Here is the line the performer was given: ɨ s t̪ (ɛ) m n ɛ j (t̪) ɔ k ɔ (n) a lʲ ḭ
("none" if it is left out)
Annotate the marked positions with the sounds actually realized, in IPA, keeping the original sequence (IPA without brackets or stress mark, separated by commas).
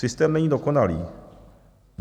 ɛ, d̪, n